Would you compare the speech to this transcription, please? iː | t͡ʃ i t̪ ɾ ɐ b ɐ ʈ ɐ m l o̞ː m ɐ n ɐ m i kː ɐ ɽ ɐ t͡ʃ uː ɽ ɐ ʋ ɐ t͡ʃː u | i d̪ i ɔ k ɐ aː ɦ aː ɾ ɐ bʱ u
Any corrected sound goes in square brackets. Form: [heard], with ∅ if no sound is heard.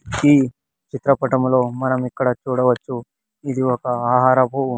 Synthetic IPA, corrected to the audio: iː | t͡ʃ i t̪ ɾ ɐ [p] ɐ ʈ ɐ m l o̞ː m ɐ n ɐ m i kː ɐ ɽ ɐ t͡ʃ uː ɽ ɐ ʋ ɐ t͡ʃː u | i d̪ i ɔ k ɐ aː ɦ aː ɾ ɐ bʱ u